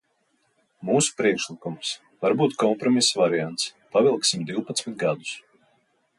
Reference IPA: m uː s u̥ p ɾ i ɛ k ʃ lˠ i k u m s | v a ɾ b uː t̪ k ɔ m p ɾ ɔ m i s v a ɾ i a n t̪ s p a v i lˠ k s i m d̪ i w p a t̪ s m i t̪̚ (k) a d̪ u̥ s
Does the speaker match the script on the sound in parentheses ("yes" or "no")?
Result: no